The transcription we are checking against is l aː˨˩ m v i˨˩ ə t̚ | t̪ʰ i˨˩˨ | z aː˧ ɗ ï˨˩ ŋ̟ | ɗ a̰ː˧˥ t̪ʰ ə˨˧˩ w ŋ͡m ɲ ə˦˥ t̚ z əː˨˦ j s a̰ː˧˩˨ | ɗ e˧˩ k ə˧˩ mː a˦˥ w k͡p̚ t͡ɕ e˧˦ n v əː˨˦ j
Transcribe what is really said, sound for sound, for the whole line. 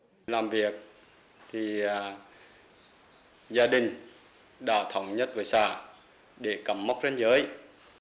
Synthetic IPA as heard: l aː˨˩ m v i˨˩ ə k̚ | t̪ʰ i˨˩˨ | z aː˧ ɗ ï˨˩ ŋ̟ | ɗ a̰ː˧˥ t̪ʰ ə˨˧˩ w ŋ͡m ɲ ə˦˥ t̚ v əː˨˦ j s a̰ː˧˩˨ | ɗ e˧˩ k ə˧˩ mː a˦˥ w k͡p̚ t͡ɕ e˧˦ n z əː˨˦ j